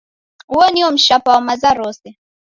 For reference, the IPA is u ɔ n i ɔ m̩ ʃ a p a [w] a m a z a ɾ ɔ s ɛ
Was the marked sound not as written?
no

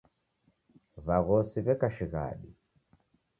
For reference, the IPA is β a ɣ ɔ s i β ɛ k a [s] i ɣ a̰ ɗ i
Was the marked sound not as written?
yes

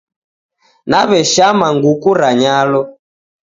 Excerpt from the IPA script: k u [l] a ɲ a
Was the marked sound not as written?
yes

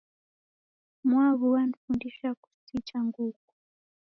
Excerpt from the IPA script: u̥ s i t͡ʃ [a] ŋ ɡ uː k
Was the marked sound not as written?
no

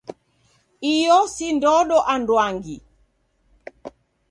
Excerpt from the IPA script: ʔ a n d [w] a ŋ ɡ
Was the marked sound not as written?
no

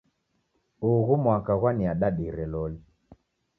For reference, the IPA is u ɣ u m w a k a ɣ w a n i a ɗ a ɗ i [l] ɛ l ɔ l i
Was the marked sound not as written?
yes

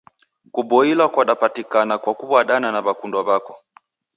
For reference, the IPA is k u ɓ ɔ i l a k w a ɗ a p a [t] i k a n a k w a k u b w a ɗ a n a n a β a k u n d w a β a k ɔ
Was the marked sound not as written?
no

